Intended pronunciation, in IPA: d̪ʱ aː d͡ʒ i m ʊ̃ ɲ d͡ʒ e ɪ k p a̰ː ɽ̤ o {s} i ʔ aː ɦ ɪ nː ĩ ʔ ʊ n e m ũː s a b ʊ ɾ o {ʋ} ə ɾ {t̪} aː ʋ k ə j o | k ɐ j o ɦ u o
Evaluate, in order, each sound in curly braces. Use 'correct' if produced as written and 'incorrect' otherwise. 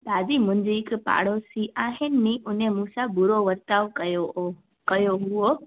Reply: correct, correct, correct

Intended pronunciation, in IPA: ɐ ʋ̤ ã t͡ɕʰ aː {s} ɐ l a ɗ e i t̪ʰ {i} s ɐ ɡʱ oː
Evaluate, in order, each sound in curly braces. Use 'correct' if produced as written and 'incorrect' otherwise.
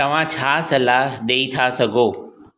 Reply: correct, incorrect: a

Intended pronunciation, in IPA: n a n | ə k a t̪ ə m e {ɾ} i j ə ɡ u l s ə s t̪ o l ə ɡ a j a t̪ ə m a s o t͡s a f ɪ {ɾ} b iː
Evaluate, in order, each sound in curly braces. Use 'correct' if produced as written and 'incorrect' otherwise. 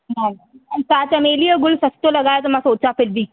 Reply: incorrect: l, incorrect: l

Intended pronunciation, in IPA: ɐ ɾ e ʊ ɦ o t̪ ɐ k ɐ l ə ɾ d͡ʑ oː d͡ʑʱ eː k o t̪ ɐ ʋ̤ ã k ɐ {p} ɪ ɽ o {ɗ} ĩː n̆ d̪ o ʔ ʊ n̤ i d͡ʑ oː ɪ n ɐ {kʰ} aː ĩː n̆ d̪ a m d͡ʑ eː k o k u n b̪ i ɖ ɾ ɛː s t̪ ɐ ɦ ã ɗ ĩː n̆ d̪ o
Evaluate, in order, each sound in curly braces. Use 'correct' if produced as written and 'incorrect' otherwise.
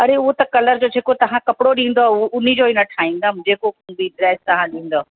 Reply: correct, correct, incorrect: ʈʰ

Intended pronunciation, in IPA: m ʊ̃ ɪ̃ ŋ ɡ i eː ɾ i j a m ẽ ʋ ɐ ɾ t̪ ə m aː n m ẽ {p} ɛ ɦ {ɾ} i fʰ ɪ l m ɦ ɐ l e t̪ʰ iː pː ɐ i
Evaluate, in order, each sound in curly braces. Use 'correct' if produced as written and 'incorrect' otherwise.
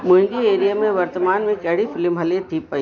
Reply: incorrect: k, incorrect: ɽ

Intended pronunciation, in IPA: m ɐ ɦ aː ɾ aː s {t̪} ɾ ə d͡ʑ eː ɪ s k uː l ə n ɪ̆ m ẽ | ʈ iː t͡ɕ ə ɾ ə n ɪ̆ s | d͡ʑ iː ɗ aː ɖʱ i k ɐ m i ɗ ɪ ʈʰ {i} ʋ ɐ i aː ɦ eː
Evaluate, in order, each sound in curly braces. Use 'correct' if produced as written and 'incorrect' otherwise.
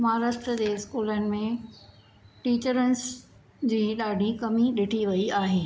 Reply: correct, correct

